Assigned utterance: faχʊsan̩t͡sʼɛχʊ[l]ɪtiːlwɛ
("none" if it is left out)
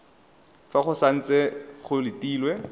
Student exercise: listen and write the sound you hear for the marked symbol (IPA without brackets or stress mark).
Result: l